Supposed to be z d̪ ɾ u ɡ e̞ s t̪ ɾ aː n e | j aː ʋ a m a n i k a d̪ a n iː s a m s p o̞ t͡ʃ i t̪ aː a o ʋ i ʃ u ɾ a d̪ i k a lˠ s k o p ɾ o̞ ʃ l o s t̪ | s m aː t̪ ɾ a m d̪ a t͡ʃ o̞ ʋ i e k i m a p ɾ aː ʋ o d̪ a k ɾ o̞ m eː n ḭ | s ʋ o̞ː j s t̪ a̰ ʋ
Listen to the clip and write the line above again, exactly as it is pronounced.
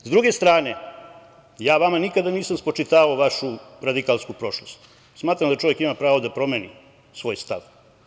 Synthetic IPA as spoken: z d̪ ɾ u ɡ e̞ s t̪ ɾ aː n e | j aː ʋ a m a n i k a d̪ a n iː s a m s p o̞ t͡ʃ i t̪ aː a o ʋ a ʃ u ɾ a d̪ i k a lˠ s k u p ɾ o̞ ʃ l o s t̪ | s m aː t̪ ɾ a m d̪ a t͡ʃ o̞ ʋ j e k i m a p ɾ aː ʋ o d̪ a p ɾ o̞ m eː n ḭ | s ʋ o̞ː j s t̪ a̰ ʋ